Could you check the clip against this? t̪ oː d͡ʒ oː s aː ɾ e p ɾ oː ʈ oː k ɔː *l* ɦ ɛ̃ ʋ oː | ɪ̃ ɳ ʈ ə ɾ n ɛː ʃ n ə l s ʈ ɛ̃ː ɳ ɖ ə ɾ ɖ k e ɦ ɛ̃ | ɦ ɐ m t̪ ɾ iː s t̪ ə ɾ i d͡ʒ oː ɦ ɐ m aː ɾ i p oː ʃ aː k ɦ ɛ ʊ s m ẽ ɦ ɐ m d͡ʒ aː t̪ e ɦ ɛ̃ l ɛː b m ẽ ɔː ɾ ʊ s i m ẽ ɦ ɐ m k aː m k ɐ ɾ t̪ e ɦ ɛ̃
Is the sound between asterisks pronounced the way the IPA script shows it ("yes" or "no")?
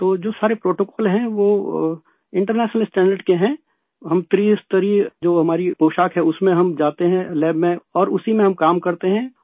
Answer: yes